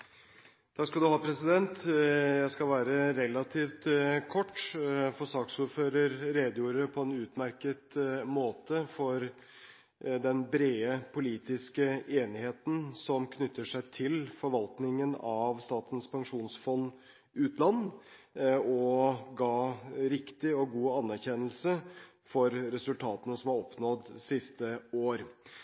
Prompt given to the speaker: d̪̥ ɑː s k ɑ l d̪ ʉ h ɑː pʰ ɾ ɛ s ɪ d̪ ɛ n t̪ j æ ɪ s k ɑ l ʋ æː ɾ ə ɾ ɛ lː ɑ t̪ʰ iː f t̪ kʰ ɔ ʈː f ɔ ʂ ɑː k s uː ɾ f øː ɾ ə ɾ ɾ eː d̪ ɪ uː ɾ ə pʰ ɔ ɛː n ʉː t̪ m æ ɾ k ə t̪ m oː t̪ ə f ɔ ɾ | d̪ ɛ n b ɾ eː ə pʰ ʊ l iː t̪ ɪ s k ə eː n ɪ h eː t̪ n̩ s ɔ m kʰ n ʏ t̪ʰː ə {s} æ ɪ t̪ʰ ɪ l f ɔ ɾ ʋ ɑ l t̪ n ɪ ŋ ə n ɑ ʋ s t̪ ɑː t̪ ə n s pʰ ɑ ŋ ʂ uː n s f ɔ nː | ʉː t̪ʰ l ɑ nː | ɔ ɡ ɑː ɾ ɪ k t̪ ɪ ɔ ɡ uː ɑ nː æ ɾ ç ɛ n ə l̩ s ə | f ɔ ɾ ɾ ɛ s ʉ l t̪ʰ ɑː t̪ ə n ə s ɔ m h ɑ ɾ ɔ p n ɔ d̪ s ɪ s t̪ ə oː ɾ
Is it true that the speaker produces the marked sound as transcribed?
no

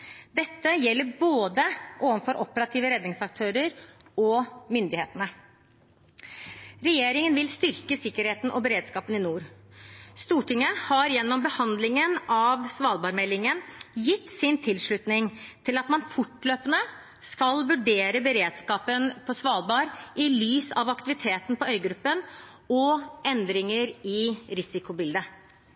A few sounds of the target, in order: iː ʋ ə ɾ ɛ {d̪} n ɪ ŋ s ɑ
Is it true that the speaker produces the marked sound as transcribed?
yes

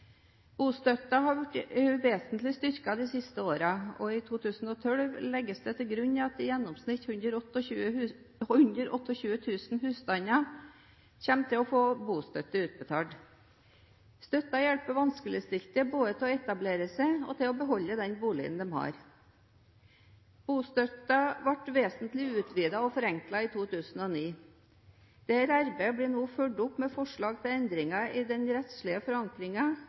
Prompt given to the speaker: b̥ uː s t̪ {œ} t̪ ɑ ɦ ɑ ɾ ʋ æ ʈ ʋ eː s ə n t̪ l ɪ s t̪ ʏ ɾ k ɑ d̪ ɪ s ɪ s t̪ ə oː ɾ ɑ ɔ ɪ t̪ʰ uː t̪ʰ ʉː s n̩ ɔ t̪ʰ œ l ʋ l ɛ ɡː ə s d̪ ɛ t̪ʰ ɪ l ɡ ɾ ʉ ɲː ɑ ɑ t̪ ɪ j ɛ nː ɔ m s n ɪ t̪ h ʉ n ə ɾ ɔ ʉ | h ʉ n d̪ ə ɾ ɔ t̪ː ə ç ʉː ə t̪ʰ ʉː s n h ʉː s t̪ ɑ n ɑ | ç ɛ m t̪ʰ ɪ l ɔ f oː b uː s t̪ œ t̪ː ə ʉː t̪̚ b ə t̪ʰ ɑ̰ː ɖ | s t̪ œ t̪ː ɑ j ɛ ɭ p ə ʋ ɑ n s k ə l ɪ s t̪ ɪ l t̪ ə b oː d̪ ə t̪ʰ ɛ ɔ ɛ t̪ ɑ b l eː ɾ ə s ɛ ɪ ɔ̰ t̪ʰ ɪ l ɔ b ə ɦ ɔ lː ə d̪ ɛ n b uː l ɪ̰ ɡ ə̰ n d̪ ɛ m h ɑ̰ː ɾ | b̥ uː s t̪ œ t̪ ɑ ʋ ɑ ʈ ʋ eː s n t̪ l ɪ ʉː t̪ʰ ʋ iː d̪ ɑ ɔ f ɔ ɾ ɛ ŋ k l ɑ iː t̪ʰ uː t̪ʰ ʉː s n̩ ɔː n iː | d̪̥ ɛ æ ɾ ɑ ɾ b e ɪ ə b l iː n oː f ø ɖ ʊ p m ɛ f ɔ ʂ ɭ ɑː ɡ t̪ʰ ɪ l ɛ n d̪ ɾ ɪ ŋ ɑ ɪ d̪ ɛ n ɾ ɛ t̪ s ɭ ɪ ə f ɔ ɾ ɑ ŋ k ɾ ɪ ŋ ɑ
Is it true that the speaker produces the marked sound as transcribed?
yes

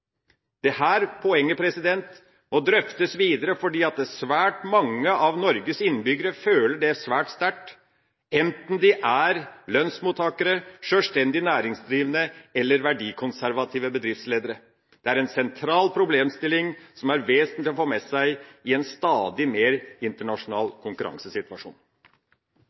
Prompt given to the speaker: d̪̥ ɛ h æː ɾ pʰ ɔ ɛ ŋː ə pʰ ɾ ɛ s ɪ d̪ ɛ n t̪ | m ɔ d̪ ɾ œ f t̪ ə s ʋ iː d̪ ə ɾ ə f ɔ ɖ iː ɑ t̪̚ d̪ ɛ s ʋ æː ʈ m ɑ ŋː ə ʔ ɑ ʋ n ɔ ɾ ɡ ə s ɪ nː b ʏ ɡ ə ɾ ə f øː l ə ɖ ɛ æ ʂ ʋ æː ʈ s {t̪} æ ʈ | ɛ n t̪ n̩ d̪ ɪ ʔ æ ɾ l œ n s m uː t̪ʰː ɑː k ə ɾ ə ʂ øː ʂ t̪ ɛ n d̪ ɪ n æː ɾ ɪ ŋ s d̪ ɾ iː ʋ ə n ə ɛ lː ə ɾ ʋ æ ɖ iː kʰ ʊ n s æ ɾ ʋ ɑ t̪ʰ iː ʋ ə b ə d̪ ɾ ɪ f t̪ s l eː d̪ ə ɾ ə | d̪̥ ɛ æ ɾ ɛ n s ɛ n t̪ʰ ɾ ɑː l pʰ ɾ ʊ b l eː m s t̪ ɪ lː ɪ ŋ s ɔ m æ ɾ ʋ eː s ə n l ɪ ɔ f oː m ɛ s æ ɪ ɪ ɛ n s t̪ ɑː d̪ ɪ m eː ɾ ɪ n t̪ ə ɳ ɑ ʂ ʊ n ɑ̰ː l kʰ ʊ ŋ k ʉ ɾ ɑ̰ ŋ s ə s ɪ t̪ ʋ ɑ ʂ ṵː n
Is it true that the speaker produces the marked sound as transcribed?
yes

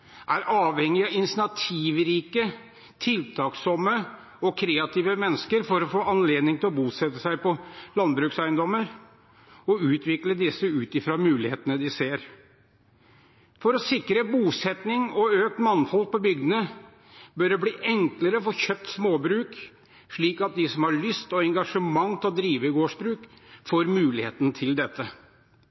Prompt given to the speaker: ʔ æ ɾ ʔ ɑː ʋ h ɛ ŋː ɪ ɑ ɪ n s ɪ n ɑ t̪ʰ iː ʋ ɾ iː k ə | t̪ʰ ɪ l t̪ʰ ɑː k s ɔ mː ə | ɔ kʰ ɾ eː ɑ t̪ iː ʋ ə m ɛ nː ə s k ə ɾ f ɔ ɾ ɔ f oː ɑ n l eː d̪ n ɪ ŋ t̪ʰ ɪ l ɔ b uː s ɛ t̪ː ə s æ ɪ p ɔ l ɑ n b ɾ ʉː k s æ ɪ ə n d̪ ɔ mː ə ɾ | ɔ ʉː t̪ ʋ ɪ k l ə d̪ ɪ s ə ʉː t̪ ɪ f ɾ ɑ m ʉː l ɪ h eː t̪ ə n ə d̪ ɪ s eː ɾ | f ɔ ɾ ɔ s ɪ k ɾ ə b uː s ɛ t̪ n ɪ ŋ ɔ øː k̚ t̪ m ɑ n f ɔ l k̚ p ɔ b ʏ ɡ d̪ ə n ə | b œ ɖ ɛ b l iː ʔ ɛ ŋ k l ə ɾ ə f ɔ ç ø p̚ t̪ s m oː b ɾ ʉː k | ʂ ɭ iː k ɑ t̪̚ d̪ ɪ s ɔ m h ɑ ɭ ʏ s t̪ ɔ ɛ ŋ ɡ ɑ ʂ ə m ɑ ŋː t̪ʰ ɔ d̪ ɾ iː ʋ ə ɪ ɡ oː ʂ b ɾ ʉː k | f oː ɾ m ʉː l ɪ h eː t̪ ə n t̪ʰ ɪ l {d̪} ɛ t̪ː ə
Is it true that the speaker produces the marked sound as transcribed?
yes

